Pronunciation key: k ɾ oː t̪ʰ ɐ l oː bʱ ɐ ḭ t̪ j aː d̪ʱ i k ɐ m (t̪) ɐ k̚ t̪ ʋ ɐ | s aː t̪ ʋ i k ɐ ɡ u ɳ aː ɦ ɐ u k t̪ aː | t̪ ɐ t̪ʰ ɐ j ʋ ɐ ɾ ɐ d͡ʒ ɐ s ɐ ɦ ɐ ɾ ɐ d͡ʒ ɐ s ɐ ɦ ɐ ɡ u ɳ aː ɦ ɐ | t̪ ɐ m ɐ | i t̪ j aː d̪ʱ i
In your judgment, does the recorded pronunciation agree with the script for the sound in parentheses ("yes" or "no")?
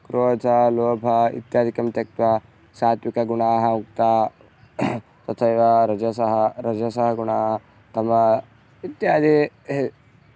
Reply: yes